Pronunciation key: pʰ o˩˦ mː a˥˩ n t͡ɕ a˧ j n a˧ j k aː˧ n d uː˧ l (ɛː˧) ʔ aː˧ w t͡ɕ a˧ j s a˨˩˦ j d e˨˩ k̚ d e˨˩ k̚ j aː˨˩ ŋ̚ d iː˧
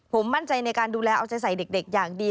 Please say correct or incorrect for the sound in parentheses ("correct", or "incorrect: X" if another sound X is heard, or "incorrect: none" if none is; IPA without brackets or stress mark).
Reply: correct